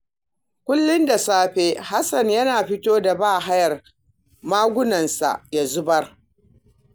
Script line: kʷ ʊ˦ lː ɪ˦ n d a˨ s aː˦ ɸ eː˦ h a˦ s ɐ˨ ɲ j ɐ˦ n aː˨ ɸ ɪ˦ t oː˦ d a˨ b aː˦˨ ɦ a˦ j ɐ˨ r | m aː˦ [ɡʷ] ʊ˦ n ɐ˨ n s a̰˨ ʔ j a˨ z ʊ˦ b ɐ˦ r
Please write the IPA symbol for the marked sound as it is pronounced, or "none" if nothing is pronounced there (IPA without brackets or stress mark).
ɡʷ